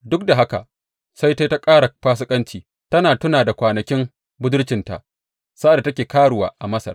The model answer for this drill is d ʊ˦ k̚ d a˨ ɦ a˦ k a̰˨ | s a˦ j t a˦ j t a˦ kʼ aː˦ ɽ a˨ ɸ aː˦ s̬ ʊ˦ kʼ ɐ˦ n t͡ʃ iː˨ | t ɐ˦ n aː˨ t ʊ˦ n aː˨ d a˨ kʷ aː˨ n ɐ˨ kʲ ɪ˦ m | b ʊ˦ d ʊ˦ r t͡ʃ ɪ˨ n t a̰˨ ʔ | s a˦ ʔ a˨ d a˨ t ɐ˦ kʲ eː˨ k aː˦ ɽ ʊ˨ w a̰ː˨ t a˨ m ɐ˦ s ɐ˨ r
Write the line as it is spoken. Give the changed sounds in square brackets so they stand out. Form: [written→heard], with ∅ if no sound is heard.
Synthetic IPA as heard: d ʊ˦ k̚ d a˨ ɦ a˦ k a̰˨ | s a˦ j t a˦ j t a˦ kʼ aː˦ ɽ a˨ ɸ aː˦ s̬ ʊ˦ kʼ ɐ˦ n t͡ʃ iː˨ | t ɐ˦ n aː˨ t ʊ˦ n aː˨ d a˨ kʷ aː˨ n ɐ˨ kʲ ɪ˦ m | b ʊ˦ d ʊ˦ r t͡ʃ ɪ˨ n t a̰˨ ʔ | s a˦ ʔ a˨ d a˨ t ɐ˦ kʲ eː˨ k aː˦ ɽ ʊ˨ w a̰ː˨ [t→ʔ] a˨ m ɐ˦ s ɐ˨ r